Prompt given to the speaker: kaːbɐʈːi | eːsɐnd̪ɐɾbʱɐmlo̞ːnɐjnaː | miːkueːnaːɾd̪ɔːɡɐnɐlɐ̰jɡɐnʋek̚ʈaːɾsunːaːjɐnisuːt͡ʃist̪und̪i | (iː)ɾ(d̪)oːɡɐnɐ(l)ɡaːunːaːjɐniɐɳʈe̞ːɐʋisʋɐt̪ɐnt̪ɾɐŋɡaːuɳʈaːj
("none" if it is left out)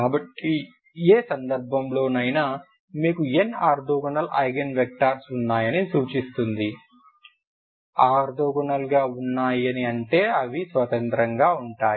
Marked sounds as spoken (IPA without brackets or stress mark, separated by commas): aː, d̪, l